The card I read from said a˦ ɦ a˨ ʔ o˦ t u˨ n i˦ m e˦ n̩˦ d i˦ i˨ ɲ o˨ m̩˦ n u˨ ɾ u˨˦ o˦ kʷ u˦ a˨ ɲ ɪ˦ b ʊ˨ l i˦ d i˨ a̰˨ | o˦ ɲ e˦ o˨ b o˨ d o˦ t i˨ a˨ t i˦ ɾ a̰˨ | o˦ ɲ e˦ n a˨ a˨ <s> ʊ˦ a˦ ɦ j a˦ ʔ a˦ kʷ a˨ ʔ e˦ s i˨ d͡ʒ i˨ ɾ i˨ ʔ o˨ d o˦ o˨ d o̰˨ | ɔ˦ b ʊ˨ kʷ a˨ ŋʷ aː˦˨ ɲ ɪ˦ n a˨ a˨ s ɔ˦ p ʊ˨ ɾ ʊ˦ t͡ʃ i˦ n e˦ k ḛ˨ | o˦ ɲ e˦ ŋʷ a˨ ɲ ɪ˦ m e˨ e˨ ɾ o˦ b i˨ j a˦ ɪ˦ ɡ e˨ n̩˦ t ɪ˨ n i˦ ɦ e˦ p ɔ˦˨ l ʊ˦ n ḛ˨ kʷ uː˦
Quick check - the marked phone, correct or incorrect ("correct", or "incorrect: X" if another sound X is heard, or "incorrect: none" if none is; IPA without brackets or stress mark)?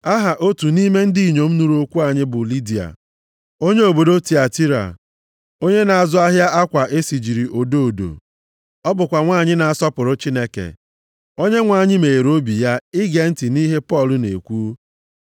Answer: incorrect: z